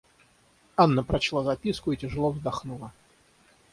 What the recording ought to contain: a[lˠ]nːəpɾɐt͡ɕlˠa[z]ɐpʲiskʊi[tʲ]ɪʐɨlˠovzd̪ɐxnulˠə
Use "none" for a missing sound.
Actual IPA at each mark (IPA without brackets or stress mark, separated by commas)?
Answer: none, z, tʲ